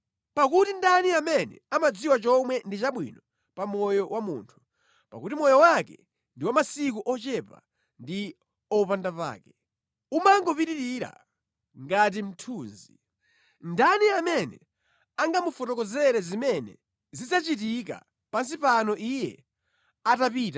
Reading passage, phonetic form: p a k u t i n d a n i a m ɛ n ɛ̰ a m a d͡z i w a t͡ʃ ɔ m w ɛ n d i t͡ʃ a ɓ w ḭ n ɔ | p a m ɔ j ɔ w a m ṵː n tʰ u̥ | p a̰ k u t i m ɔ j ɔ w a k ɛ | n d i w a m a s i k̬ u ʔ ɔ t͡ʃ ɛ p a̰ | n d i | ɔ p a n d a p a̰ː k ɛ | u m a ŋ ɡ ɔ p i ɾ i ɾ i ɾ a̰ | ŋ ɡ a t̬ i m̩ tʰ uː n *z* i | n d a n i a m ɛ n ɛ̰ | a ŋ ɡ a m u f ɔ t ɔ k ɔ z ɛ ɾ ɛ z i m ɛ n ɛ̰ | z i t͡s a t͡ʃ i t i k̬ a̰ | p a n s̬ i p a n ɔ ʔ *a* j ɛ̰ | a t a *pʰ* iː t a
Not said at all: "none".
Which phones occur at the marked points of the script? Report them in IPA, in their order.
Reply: z, i, p

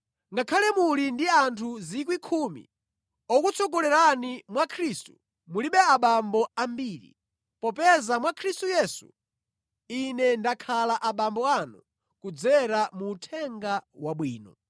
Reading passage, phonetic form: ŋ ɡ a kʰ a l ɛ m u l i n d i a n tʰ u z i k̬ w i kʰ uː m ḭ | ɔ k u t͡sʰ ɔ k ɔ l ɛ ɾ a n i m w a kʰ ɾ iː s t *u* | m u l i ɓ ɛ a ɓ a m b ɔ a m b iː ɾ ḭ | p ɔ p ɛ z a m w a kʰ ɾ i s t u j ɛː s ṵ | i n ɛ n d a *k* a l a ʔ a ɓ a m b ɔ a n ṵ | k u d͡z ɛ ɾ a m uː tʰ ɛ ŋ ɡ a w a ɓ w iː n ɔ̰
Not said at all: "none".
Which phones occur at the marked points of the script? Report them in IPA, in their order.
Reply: u, kʰ

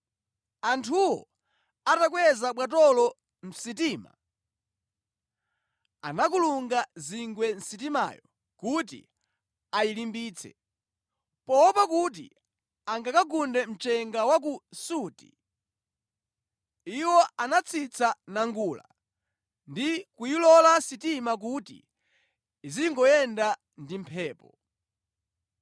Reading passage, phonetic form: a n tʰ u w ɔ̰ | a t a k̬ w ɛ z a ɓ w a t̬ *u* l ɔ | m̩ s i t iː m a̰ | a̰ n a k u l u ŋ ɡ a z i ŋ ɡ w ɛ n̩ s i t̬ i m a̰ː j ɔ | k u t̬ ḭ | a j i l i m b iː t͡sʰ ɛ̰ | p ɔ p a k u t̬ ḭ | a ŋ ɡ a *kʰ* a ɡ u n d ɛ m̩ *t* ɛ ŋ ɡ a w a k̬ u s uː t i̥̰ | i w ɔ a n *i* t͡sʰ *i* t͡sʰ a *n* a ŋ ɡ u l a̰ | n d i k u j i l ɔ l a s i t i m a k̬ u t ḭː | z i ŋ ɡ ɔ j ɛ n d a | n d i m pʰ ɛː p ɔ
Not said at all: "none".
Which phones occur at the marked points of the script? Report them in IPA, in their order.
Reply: ɔ, k, t͡ʃ, a, i, n

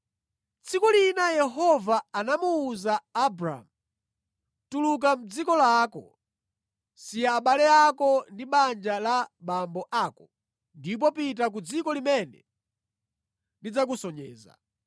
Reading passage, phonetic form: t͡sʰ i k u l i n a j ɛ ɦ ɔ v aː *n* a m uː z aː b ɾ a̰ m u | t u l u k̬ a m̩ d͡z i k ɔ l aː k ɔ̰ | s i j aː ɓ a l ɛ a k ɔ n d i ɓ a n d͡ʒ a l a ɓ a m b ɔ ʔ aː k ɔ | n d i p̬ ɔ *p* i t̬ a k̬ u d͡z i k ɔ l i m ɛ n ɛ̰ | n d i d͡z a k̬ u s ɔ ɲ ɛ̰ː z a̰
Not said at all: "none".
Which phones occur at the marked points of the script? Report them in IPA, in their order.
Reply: n, p

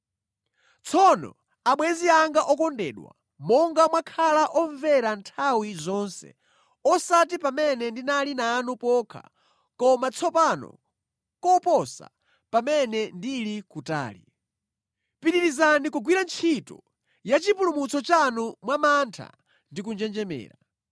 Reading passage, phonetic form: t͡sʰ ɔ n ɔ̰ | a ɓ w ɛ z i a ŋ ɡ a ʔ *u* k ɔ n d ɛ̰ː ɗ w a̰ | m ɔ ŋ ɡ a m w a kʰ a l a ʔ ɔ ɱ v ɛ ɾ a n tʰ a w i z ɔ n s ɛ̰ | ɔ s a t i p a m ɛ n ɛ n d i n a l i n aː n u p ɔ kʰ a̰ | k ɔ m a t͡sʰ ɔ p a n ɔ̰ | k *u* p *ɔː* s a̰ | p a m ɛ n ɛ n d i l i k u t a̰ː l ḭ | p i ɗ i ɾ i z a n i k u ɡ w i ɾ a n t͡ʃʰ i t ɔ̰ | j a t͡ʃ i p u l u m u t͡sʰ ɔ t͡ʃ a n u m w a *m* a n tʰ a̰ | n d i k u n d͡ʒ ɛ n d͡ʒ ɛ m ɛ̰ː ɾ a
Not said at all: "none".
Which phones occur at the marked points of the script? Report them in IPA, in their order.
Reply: ɔ, ɔ, ɔ, m

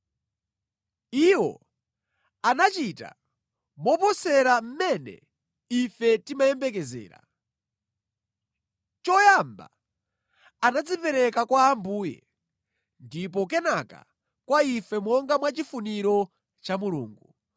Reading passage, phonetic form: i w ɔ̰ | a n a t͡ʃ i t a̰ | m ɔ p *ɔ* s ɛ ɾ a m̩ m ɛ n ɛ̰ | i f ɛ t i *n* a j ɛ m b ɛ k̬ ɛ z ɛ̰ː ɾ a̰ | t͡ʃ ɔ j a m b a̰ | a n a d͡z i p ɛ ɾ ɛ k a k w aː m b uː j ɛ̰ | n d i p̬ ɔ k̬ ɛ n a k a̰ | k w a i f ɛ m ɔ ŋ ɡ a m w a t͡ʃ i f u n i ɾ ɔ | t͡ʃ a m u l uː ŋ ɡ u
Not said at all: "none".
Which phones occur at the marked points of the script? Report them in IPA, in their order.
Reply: ɔ, m

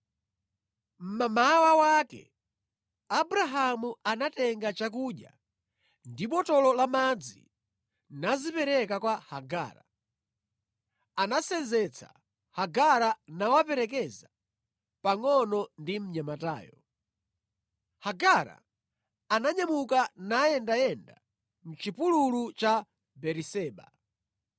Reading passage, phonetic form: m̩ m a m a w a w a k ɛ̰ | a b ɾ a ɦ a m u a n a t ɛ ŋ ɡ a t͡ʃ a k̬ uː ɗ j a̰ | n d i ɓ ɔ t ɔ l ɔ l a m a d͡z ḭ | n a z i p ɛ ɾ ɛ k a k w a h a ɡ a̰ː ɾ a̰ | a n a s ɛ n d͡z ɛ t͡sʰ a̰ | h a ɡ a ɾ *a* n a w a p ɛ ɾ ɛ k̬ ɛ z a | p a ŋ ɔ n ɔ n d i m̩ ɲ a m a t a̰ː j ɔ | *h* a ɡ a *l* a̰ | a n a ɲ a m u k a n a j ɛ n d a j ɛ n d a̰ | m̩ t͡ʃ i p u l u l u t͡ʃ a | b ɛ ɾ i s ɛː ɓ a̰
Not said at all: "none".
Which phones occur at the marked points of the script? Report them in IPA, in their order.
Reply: a, h, ɾ

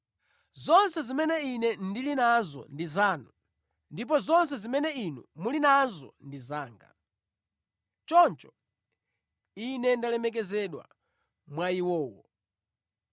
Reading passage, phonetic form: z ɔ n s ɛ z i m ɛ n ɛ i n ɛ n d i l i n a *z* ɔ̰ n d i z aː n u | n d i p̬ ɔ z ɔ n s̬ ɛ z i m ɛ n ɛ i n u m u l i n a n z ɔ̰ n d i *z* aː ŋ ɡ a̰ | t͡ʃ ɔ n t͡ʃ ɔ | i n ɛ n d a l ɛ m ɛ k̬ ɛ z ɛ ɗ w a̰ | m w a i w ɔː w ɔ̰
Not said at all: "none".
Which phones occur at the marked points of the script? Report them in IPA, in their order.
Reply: z, z

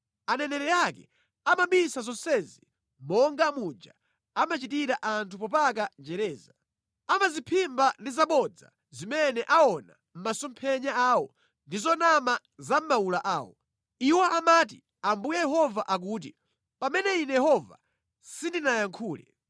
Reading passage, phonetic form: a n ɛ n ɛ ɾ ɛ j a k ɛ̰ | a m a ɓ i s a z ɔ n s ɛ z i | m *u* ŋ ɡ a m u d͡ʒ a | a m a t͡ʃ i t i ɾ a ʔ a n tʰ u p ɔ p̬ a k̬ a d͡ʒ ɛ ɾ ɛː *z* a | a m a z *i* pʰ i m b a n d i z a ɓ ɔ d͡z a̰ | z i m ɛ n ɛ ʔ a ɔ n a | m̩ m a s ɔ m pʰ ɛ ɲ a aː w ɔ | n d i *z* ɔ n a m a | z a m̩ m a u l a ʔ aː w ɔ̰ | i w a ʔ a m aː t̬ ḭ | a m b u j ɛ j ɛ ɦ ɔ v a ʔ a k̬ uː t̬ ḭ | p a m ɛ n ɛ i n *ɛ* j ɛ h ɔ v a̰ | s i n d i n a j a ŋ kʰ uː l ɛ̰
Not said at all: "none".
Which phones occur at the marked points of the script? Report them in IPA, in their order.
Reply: ɔ, z, i, z, ɛ

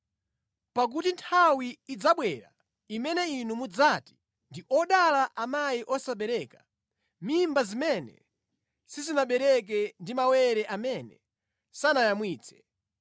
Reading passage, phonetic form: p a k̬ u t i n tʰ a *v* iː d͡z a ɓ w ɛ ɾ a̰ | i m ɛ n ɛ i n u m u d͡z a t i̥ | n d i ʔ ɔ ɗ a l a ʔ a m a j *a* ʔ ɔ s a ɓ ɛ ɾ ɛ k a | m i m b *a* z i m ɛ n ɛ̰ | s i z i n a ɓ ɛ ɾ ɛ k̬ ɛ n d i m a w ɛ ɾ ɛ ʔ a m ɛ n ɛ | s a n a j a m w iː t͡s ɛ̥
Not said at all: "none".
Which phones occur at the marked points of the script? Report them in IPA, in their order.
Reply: w, i, a

